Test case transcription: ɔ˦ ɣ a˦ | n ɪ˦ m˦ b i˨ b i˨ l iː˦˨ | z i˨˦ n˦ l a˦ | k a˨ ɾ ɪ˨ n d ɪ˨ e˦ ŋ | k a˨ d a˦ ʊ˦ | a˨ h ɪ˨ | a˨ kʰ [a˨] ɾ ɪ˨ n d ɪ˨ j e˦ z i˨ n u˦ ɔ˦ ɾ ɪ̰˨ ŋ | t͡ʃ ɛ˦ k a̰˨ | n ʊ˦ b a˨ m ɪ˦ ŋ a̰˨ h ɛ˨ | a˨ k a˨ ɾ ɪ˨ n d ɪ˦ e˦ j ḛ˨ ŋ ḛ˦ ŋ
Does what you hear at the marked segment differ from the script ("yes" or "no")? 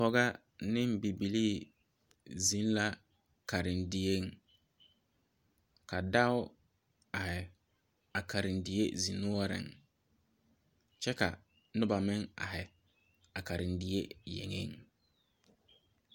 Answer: no